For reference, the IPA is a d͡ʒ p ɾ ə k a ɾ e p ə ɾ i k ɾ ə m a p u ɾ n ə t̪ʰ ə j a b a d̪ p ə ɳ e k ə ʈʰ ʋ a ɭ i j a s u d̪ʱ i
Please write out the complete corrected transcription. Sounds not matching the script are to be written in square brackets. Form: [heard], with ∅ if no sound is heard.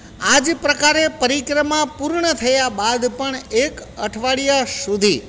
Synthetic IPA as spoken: a d͡ʒ p ɾ ə k a ɾ e p ə ɾ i k ɾ ə m a p u ɾ [ɳ] ə t̪ʰ ə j a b a d̪ p ə ɳ e k ə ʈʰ ʋ a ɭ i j a s u d̪ʱ i